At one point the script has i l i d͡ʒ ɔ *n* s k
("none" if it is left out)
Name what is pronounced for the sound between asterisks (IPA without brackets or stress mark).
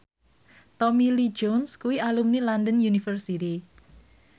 n